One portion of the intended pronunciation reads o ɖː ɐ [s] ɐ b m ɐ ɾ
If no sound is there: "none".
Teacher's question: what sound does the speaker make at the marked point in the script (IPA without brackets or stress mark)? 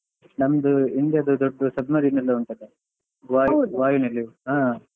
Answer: s